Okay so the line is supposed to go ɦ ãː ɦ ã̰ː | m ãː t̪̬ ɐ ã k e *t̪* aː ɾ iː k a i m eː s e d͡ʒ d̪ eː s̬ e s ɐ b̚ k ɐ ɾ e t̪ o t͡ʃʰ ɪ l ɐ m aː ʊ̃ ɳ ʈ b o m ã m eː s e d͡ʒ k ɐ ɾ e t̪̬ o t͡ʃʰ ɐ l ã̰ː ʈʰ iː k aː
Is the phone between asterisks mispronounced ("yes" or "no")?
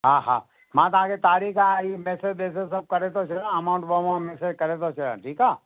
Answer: no